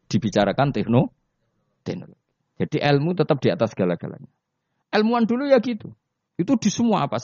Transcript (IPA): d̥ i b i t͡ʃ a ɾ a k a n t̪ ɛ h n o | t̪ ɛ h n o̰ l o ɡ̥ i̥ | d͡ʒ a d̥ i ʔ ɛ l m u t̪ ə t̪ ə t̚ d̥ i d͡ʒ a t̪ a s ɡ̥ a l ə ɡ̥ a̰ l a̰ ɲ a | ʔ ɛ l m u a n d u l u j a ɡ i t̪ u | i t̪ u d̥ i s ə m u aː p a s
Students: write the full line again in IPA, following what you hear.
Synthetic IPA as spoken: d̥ i b i t͡ʃ a ɾ a k a n t̪ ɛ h n o | t̪ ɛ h n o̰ l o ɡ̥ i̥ | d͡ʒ a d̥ i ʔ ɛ l m u t̪ ə t̪ ə p̚ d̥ i a t̪ a s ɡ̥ a l a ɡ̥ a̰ l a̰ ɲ a | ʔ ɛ l m u a n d u l u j a ɡ i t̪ u | i t̪ u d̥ i s ə m u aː p a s